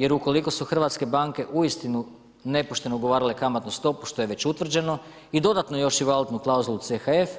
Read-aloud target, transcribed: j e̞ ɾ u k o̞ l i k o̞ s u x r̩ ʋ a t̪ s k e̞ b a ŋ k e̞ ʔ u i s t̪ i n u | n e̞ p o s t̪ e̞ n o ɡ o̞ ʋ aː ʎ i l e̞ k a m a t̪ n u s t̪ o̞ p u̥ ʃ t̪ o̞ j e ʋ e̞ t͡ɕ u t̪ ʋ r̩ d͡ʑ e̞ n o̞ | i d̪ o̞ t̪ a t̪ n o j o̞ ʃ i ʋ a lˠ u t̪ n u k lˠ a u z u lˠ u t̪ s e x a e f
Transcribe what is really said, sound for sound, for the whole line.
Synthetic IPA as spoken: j e̞ ɾ u k o̞ l i k o̞ s u x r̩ ʋ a t̪ s k e̞ b a ŋ k e̞ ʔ u i s t̪ i n u | n e̞ p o ʃ t̪ e̞ n o ɡ o̞ ʋ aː ɾ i l e̞ k a m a t̪ n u s t̪ o̞ p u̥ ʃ t̪ o̞ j e ʋ e̞ t͡ɕ u t̪ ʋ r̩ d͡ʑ e̞ n o̞ | i d̪ o̞ d̪ a t̪ n o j o̞ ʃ i ʋ a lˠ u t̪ n u k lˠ a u z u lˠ u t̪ s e x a e f